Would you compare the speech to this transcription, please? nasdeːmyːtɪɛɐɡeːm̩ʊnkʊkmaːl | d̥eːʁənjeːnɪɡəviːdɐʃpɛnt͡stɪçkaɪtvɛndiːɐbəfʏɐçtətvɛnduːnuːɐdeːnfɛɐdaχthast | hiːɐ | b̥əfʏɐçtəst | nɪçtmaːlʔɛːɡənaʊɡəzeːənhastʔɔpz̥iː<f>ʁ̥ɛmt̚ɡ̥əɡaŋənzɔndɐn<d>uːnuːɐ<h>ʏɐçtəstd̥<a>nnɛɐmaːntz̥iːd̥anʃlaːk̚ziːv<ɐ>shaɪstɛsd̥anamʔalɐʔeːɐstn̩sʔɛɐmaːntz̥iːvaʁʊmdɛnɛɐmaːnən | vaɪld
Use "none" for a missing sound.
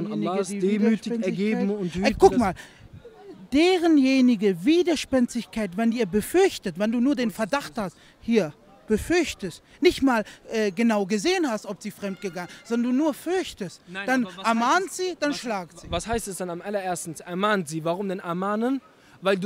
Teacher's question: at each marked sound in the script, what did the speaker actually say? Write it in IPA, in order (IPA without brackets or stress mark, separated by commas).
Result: f, d, f, a, a